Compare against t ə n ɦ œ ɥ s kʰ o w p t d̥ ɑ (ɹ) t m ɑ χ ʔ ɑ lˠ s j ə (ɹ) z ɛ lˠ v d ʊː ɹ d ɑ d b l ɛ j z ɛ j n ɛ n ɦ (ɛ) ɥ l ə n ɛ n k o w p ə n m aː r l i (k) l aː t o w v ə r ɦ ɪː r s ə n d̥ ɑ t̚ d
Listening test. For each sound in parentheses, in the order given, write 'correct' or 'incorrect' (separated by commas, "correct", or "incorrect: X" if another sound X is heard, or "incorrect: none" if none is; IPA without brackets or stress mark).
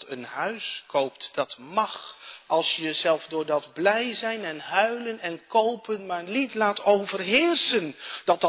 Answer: incorrect: none, incorrect: none, incorrect: œ, incorrect: t